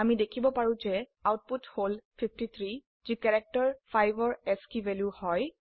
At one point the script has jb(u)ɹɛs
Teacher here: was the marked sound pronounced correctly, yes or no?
no